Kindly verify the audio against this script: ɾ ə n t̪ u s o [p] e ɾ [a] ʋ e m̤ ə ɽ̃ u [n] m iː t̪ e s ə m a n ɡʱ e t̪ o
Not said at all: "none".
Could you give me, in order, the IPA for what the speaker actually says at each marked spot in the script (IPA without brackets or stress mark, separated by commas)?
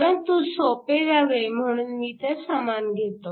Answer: p, a, n